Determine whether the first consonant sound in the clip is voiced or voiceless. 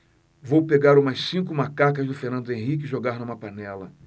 voiced